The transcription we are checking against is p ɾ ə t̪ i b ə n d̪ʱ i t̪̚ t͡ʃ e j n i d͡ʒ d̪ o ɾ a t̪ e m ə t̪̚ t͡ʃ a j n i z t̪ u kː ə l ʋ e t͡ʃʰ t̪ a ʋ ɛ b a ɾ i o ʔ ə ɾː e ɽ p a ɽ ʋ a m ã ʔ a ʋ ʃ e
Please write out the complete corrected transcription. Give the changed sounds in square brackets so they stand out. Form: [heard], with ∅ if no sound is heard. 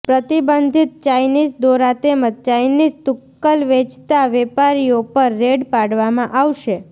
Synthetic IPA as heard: p ɾ ə t̪ i b ə n d̪ʱ i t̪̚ t͡ʃ [a] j n i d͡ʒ d̪ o ɾ a t̪ e m ə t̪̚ t͡ʃ a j n i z t̪ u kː ə l ʋ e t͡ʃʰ t̪ a ʋ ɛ [p] a ɾ i o [p] ə ɾː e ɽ p a ɽ ʋ a m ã ʔ a ʋ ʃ e